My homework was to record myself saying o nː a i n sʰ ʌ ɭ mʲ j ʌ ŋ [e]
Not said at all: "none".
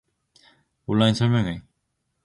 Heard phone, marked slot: e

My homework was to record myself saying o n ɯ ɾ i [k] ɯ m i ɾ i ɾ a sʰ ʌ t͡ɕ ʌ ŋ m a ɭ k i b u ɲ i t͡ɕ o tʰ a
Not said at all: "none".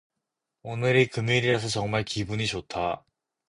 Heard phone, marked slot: k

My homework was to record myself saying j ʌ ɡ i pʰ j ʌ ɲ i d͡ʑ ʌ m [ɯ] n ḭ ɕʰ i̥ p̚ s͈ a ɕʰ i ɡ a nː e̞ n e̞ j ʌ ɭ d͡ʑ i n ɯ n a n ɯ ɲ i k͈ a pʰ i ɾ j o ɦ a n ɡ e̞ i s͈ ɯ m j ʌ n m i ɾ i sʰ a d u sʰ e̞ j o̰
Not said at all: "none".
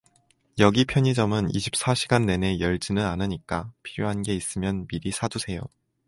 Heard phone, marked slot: ɯ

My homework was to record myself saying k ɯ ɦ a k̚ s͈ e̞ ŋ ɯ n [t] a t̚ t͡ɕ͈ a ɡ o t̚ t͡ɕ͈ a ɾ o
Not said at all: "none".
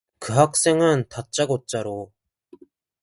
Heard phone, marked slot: t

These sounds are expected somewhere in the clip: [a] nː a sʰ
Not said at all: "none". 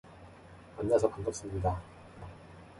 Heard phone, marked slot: a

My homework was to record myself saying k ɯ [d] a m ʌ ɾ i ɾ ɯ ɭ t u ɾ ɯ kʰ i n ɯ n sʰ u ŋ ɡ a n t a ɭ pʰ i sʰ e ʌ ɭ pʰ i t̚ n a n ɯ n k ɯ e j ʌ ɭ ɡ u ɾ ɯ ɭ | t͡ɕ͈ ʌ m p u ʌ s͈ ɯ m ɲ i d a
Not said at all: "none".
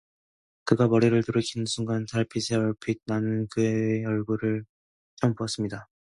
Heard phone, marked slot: ɡ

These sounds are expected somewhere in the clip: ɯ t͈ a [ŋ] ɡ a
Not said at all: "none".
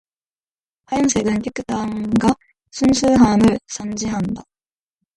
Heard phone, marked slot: ŋ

